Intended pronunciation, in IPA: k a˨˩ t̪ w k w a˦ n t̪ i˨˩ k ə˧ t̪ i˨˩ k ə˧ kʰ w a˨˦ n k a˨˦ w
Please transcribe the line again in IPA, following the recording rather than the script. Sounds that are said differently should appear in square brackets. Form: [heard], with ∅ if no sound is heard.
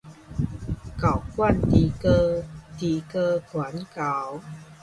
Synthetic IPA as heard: k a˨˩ [∅] w k w [a˥˨] n t̪ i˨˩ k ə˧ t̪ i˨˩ k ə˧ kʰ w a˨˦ n k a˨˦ w